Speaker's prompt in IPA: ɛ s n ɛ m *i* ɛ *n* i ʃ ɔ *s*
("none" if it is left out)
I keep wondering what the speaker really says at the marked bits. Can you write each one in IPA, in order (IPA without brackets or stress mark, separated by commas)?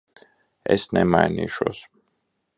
a, n, s